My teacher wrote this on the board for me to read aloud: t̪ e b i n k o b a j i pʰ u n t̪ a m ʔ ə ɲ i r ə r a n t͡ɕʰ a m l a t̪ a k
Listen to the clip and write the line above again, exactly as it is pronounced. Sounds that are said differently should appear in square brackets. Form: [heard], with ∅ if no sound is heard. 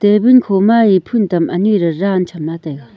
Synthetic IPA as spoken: t̪ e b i n [kʰ] o [m] a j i pʰ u n t̪ a m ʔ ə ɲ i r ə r a n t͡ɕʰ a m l a t̪ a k